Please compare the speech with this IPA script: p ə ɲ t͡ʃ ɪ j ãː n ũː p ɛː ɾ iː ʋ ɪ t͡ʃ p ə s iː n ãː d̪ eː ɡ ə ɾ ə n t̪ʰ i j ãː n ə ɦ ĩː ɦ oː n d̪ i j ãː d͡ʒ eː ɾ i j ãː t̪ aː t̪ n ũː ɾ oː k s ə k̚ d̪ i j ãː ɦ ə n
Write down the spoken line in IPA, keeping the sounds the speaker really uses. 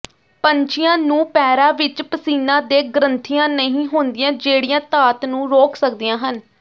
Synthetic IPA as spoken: p ə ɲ t͡ʃ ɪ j ãː n ũː p ɛː ɾ aː ʋ ɪ t͡ʃ p ə s iː n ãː d̪ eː ɡ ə ɾ ə n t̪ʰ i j ãː n ə ɦ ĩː ɦ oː n d̪ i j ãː d͡ʒ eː ɽ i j ãː t̪ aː t̪ n ũː ɾ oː k s ə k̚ d̪ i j ãː ɦ ə n